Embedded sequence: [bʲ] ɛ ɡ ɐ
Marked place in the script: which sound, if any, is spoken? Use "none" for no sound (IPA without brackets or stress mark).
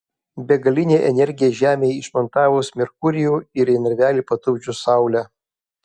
bʲ